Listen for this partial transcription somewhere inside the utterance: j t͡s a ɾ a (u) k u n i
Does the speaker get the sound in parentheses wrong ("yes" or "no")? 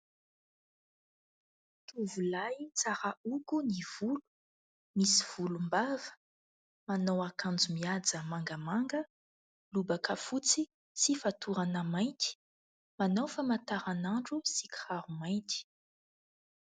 no